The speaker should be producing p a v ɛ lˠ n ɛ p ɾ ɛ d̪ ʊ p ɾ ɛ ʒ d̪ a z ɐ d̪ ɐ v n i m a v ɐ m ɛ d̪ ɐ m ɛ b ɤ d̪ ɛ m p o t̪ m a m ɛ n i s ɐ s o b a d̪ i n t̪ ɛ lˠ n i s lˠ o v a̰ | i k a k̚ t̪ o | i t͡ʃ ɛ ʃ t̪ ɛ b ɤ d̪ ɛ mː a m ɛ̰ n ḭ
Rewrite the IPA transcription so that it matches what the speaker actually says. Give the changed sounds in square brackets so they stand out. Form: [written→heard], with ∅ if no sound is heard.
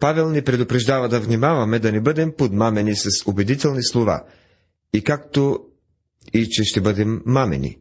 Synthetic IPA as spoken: p a v ɛ lˠ n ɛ p ɾ ɛ d̪ ʊ p ɾ ɛ ʒ d̪ a [z→v] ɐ d̪ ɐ v n i m a v ɐ m ɛ d̪ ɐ [m→n] ɛ b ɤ d̪ ɛ m p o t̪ m a m ɛ n i s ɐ s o b [a→ɛ] d̪ i [n→∅] t̪ ɛ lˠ n i s lˠ o v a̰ | i k a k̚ t̪ o | i t͡ʃ ɛ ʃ t̪ ɛ b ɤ d̪ ɛ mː a m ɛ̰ n ḭ